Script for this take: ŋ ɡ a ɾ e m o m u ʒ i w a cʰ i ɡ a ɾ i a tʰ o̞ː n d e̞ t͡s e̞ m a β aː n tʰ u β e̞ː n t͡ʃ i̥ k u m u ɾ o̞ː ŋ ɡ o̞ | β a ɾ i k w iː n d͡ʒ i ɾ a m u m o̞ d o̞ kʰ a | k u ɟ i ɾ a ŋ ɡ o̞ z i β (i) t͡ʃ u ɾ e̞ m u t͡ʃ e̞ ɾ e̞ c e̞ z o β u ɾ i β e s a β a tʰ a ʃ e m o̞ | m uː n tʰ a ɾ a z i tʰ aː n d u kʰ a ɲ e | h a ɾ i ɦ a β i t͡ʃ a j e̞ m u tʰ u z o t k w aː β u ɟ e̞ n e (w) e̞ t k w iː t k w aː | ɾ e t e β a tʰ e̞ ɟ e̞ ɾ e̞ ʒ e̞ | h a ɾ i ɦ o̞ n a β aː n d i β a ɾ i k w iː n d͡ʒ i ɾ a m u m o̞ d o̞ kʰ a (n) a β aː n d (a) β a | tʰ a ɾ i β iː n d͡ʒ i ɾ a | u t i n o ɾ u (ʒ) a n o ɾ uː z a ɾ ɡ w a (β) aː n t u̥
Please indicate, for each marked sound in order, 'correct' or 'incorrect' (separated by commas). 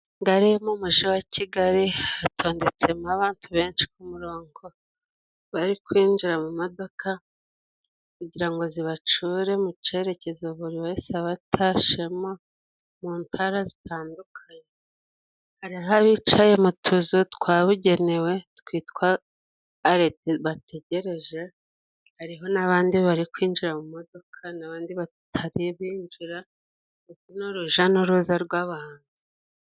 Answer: incorrect, correct, correct, incorrect, correct, correct